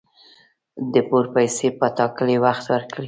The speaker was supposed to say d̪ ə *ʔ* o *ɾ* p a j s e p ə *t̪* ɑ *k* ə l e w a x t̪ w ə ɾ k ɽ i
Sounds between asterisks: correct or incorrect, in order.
incorrect, correct, correct, correct

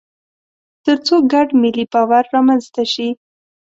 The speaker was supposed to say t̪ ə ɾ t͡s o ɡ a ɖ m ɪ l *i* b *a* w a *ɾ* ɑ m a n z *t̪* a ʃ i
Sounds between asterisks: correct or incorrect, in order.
correct, incorrect, incorrect, correct

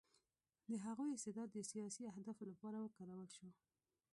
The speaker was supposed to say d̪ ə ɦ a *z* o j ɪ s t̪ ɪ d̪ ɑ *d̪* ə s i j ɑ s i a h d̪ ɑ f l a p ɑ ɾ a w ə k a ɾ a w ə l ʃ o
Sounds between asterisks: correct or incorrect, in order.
incorrect, incorrect

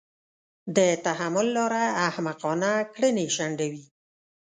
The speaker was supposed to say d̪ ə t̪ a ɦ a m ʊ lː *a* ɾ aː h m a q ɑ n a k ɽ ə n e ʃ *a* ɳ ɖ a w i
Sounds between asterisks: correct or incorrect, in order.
incorrect, correct

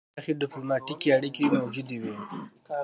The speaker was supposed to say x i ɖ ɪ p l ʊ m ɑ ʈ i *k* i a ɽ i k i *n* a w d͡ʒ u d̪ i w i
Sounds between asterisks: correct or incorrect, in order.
correct, incorrect

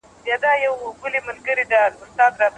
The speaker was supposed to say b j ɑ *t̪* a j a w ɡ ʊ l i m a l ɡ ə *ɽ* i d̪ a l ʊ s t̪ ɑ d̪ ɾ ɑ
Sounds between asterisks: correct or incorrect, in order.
incorrect, incorrect

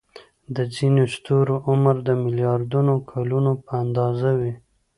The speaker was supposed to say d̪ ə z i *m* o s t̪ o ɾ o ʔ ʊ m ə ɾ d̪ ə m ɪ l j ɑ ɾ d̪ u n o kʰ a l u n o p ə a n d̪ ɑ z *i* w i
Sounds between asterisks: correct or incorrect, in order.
incorrect, incorrect

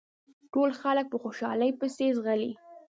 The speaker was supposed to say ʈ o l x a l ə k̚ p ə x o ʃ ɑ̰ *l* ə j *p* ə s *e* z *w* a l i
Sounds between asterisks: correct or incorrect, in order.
correct, correct, correct, incorrect

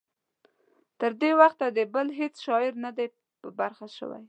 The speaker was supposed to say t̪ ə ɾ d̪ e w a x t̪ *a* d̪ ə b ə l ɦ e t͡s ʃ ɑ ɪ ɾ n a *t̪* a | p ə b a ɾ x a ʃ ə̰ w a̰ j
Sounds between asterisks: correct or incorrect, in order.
correct, incorrect

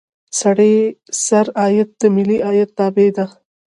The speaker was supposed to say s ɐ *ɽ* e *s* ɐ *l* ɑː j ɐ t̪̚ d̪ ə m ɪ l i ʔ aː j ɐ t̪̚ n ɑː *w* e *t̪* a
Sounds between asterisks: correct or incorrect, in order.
correct, correct, incorrect, incorrect, incorrect

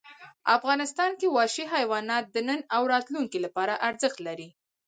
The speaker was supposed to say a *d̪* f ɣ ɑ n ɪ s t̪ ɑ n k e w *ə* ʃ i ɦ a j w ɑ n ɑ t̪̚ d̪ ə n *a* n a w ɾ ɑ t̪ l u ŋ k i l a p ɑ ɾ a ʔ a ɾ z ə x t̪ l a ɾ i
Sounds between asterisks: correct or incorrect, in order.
incorrect, incorrect, incorrect

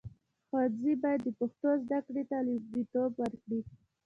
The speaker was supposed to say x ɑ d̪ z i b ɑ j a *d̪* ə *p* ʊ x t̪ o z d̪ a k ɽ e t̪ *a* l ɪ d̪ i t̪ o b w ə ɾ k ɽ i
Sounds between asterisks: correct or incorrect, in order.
incorrect, correct, correct

